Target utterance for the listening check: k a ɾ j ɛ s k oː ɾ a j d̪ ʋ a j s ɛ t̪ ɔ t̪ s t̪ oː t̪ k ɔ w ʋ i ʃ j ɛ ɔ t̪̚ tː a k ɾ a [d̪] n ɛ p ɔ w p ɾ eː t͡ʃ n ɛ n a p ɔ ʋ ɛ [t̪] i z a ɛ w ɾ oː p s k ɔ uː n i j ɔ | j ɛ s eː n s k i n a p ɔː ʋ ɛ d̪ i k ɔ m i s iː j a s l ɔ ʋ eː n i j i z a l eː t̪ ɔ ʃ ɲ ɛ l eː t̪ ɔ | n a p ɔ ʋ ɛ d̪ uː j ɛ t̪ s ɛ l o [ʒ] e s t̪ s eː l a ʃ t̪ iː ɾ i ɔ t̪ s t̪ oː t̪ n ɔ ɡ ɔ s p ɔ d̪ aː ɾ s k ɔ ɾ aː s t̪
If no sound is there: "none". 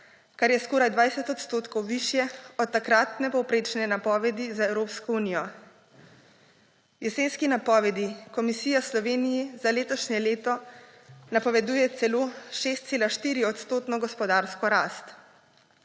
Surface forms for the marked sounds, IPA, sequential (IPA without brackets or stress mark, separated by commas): t̪, d̪, ʃ